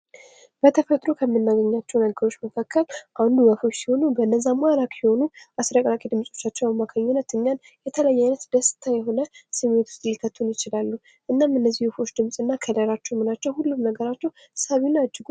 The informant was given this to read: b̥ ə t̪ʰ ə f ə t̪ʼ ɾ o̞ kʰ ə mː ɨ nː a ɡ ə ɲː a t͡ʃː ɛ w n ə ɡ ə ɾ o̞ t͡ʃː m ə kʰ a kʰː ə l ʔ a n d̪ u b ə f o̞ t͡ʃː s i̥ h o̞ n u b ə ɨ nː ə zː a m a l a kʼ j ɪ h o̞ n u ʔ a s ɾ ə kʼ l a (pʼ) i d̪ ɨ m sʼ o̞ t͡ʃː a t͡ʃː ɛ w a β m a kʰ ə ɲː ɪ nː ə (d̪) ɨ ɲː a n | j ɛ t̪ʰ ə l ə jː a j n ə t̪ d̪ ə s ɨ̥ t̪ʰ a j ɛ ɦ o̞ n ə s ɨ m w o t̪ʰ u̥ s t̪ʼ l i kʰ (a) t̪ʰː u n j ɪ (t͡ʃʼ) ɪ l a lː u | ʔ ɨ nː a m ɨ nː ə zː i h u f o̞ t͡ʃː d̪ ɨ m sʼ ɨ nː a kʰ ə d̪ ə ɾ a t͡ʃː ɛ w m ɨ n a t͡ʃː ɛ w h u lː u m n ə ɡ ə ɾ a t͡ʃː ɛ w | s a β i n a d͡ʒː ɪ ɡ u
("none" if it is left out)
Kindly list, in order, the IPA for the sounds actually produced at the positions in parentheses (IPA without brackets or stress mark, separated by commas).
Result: kʼ, t̪, ə, t͡ʃ